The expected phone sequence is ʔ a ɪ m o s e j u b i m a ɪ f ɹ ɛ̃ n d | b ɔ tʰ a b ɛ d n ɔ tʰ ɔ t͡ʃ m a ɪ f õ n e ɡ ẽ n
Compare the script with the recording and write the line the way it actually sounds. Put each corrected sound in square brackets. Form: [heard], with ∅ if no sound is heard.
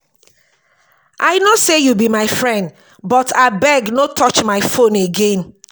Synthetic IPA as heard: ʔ a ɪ [n] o s e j u b i m a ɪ f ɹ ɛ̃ n d | b ɔ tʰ a b ɛ [ɡ] n [o] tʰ ɔ t͡ʃ m a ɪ f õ n e ɡ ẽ n